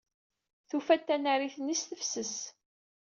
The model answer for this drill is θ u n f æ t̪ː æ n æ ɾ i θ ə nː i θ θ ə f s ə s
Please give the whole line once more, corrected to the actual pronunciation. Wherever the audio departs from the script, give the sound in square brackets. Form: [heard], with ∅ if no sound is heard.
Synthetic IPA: θ u [∅] f æ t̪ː æ n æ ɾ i θ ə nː i [s] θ ə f s ə s